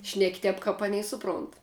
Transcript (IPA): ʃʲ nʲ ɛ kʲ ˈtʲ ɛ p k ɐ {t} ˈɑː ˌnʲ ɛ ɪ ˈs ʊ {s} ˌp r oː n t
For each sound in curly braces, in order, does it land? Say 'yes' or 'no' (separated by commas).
no, no